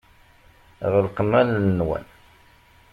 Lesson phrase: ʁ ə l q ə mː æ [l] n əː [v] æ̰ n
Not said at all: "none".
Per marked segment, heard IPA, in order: l, w

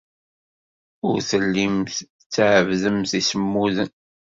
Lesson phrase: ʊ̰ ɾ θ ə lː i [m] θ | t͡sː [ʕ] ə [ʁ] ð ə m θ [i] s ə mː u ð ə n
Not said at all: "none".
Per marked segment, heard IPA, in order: m, ʕ, v, i

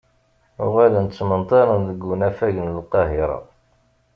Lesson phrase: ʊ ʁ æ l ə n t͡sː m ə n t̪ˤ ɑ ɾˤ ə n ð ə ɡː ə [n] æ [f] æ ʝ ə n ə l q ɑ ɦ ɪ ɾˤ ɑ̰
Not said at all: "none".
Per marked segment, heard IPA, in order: n, f

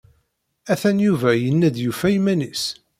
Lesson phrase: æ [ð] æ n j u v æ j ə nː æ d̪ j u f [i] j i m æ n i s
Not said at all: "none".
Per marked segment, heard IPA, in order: θ, æ

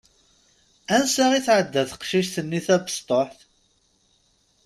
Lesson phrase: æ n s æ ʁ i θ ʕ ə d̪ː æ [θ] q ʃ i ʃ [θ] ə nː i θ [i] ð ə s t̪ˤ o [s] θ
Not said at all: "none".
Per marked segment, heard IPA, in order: θ, θ, æ, ħ

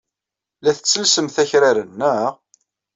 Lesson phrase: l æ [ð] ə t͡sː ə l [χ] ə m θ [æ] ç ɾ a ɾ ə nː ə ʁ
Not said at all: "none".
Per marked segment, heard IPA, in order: θ, s, æ

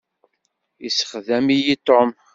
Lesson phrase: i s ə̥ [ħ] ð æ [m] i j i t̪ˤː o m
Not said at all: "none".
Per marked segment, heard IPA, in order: χ, m

